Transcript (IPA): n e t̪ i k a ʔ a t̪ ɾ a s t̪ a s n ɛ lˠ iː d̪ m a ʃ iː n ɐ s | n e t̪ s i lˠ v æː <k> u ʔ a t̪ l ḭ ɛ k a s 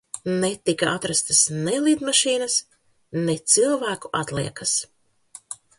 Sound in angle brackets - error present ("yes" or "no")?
no